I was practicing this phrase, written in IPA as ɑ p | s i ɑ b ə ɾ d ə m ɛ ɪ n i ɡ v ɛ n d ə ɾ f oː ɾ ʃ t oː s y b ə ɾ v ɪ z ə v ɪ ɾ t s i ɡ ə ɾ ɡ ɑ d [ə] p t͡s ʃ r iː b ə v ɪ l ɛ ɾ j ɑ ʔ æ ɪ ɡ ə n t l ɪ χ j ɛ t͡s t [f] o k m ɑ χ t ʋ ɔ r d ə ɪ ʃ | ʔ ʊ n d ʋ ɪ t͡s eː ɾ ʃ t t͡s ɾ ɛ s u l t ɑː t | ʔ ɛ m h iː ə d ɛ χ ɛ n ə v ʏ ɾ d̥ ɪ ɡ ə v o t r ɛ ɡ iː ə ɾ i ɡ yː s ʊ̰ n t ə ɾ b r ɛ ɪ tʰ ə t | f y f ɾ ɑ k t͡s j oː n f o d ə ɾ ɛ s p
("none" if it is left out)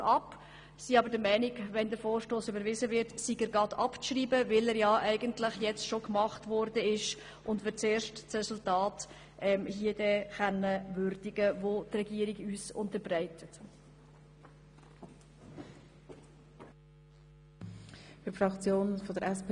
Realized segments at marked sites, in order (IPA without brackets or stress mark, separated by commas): ɑ, ʃ